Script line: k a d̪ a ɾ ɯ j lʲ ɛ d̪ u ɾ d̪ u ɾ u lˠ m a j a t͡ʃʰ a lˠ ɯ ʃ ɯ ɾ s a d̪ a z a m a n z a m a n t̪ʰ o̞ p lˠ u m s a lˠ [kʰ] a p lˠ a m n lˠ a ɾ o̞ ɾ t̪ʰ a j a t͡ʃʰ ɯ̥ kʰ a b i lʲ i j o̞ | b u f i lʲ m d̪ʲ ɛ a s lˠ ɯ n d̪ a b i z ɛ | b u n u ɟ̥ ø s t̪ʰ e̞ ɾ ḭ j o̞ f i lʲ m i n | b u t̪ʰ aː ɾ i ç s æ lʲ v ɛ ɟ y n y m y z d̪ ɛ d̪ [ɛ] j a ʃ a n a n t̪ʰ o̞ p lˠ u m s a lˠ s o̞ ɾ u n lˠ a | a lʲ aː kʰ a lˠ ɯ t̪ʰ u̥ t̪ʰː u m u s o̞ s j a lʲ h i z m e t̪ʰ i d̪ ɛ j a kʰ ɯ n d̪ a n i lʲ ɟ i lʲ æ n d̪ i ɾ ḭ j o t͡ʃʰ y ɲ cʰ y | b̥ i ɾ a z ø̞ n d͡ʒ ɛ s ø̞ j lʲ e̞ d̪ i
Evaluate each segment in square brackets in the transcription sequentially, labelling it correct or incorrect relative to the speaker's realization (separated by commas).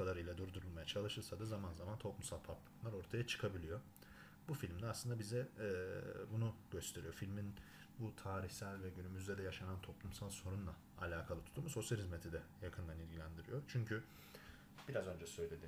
incorrect, correct